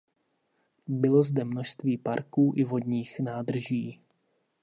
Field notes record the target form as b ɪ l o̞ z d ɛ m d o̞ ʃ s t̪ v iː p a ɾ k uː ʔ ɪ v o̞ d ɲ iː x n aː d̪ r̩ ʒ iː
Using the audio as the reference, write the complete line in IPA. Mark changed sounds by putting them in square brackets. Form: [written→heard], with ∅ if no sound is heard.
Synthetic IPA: b ɪ l o̞ z d ɛ m [d→n] o̞ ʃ s t̪ v iː p a ɾ k uː ʔ ɪ v o̞ d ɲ iː x n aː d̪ r̩ ʒ iː